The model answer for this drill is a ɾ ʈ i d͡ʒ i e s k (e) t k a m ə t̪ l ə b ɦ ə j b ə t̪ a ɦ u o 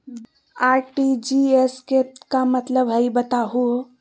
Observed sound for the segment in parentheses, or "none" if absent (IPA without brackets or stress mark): e